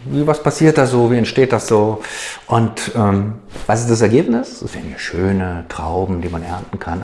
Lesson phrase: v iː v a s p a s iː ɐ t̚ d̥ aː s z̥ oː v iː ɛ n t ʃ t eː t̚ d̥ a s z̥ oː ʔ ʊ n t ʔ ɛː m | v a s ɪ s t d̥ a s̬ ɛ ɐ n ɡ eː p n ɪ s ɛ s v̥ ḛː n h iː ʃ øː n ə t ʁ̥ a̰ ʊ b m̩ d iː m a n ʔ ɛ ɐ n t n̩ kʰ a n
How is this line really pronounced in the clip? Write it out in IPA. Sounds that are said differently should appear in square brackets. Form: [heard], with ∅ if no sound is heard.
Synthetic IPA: v iː v a s p a s iː ɐ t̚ d̥ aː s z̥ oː v iː ɛ n t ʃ t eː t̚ d̥ a s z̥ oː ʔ ʊ n t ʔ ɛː m | v a s ɪ s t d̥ a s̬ ɛ ɐ [∅] ɡ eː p n ɪ s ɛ s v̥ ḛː n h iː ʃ øː n ə t ʁ̥ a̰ ʊ b m̩ d iː m a n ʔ ɛ ɐ n t n̩ kʰ a n